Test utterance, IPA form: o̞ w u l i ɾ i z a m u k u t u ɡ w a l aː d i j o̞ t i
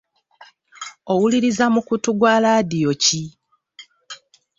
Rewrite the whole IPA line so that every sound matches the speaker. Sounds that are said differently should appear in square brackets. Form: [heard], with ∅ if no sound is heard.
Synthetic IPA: o̞ w u l i ɾ i z a m u k u t u ɡ w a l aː d i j o̞ [c] i